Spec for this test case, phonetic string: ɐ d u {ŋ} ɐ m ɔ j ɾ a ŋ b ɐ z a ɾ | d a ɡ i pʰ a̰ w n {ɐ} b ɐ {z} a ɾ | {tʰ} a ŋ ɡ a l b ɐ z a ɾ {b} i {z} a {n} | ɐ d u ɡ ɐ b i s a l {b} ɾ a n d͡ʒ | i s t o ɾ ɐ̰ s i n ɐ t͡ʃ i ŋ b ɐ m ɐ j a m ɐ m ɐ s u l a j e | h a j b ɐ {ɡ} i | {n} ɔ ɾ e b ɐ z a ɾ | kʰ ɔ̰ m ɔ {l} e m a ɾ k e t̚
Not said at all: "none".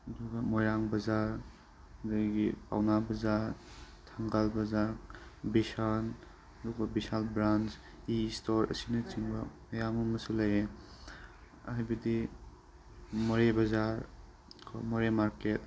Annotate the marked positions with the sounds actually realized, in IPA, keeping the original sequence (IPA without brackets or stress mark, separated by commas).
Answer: ɡ, a, z, tʰ, b, s, n, b, d, m, ɾ